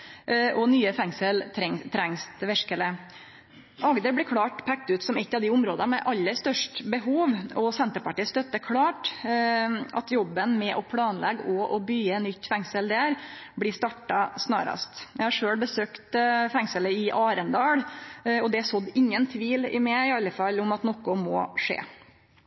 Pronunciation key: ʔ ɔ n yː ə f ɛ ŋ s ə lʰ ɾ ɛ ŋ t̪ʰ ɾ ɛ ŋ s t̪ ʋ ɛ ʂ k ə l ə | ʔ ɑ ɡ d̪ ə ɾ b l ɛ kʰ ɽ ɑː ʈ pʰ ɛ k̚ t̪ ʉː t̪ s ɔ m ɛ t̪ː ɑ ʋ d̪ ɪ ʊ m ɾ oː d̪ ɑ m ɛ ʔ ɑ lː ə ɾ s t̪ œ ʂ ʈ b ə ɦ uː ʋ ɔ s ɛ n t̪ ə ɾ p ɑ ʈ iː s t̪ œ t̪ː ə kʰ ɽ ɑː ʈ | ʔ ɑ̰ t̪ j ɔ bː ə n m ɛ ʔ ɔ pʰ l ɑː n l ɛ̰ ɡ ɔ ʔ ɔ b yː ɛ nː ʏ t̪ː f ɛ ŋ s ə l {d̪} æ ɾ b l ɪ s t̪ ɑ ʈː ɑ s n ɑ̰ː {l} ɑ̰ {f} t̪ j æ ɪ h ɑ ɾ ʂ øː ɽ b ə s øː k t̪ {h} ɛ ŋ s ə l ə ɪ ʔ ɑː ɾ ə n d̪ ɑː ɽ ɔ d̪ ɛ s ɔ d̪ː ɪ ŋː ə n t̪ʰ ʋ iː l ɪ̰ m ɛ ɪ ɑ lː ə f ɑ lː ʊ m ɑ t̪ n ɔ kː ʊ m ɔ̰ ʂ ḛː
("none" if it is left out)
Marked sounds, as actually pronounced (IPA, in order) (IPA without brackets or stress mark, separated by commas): d̪, ɾ, s, f